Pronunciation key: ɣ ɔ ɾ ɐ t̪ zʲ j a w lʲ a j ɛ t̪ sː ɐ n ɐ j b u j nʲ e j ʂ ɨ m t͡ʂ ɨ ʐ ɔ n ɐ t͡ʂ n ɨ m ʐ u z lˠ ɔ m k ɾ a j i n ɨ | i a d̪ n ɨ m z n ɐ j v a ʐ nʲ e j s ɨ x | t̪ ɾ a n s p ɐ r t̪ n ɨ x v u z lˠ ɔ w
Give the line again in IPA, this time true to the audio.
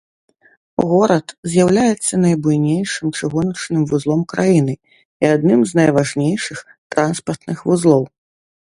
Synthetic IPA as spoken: ɣ ɔ ɾ ɐ t̪ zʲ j a w lʲ a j ɛ t̪ sː ɐ n ɐ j b u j nʲ e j ʂ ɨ m t͡ʂ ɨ ɣ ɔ n ɐ t͡ʂ n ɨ m v u z lˠ ɔ m k ɾ a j i n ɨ | i a d̪ n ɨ m z n ɐ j v a ʐ nʲ e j ʂ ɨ x | t̪ ɾ a n s p ɐ r t̪ n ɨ x v u z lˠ ɔ w

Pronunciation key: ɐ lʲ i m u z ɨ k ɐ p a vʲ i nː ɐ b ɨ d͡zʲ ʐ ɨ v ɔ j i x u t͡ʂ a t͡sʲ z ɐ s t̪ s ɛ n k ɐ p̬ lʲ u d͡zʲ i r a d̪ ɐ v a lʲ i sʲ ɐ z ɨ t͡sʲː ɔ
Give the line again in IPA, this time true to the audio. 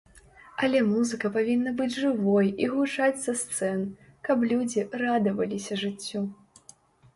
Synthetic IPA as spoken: ɐ lʲ ɛ m u z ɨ k ɐ p a vʲ i nː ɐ b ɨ d͡zʲ ʐ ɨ v ɔ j i ɣ u t͡ʂ a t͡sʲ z ɐ s t̪ s ɛ n k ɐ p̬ lʲ u d͡zʲ i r a d̪ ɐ v ɐ lʲ i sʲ ɐ ʐ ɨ t͡sʲː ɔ

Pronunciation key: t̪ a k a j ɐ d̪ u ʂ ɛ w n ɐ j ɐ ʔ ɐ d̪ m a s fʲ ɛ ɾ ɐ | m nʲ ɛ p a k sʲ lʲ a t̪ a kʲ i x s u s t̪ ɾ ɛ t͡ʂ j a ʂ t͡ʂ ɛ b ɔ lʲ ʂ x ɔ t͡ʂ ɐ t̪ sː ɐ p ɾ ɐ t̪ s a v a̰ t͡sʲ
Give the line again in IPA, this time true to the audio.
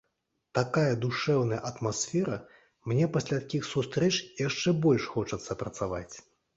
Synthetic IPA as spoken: t̪ a k a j ɐ d̪ u ʂ ɛ w n ɐ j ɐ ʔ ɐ t̪ m a s fʲ ɛ ɾ ɐ | m nʲ ɛ p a sʲ lʲ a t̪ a kʲ i x s u s t̪ ɾ ɛ t͡ʂ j a ʂ t͡ʂ ɛ b ɔ lʲ ʂ x ɔ t͡ʂ ɐ t̪ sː ɐ p ɾ ɐ t̪ s a v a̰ t͡sʲ

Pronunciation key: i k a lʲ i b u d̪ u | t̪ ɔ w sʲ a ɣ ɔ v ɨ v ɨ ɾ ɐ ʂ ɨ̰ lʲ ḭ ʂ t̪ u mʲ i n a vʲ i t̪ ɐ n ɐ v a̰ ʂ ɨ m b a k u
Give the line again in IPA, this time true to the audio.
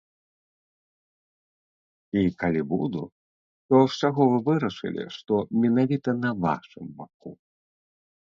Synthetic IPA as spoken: i k a lʲ i b u d̪ u | t̪ ɔ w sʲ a ɣ ɔ v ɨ v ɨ ɾ ɐ ʂ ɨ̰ lʲ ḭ ʂ t̪ ɔ mʲ ɛ n a vʲ i t̪ ɐ n ɐ v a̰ ʂ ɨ m b a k u

